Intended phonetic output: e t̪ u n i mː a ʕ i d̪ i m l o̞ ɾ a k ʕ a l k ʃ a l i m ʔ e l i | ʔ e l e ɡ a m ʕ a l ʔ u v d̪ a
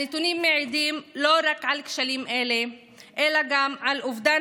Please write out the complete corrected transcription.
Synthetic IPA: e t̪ u n i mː e ʕ i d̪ i m l o̞ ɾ a k ʕ a l k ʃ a l i m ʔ e l e | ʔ e l a ɡ a m ʕ a l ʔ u v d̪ a

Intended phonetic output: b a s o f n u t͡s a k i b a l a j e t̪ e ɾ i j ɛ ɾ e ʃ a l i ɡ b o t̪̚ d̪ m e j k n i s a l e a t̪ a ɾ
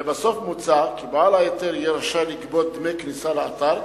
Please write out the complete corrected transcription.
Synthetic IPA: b a s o f m u t͡s a k i b a l a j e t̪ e ɾ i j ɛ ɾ a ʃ a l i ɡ b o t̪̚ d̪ m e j k n i s a l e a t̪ a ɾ

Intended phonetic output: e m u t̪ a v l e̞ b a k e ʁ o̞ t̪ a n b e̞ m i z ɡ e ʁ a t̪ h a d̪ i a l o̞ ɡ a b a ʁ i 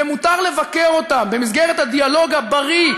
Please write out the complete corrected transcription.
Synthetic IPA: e m u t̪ a ʁ l e̞ v a k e ʁ o̞ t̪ a m b e̞ m i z ɡ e ʁ e t̪ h a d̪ i a l o̞ ɡ a b a ʁ i

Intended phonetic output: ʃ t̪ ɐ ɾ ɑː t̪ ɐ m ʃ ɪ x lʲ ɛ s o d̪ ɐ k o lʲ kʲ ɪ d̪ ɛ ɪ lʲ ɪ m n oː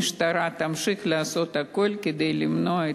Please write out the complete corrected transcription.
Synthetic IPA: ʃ t̪ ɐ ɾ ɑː t̪ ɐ m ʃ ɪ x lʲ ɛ s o t̪ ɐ k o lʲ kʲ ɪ d̪ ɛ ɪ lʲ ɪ m n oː

